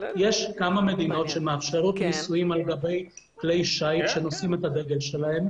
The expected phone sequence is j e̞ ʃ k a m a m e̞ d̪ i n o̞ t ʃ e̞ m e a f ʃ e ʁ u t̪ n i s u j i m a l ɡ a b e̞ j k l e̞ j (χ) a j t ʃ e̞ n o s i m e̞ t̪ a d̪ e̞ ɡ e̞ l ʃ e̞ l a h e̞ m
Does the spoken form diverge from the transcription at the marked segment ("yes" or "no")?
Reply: yes